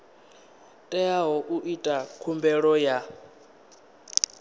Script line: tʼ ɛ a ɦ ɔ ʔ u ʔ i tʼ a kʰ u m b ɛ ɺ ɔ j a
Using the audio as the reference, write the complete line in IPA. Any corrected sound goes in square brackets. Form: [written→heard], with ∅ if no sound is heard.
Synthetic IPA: tʼ ɛ a ɦ ɔ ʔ u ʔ i tʼ a kʰ u m b ɛ ɺ ɔ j a

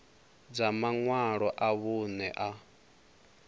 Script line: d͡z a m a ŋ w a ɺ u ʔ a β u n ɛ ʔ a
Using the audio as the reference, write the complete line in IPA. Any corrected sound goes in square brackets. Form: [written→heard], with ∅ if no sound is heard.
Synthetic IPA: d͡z a m a ŋ w a ɺ [u→ɔ] ʔ a β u n ɛ ʔ a

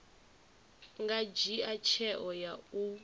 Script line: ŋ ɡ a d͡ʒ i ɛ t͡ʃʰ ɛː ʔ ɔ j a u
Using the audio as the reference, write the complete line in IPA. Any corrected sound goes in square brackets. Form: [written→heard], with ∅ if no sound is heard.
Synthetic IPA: ŋ ɡ a d͡ʒ i [ɛ→a] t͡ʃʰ [ɛː→ɛ] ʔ ɔ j a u

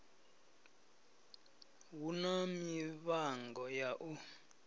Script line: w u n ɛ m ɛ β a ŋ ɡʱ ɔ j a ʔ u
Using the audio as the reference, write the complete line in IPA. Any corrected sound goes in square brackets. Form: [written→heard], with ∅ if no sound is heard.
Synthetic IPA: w u n [ɛ→a] m [ɛ→i] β a ŋ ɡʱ ɔ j a ʔ u

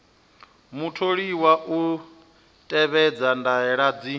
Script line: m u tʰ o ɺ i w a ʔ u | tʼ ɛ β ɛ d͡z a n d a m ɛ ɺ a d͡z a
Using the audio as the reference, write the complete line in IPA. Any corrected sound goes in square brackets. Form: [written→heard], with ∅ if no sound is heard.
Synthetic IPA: m u tʰ o ɺ i w a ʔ u | tʼ ɛ β ɛ d͡z a n d a [m→∅] ɛ ɺ a d͡z [a→i]

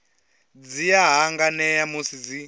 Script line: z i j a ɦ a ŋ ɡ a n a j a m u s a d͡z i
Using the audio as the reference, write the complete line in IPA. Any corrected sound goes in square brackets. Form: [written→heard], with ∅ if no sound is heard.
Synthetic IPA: [z→d͡z] i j a ɦ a ŋ ɡ a n [a→ɛ] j a m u s [a→i] d͡z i

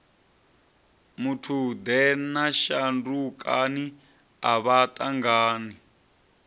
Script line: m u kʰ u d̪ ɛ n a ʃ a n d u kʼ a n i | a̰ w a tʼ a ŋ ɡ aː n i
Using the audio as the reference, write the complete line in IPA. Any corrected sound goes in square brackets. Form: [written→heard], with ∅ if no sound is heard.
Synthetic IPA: m u [kʰ→tʰ] u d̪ ɛ n a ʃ a n d u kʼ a n i | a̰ [w→β] a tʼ a ŋ ɡ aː n i

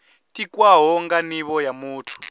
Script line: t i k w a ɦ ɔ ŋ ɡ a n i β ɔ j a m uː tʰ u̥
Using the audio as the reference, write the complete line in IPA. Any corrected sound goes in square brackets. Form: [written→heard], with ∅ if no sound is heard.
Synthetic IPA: t i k w a ɦ ɔ ŋ ɡ a n i β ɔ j a m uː tʰ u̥

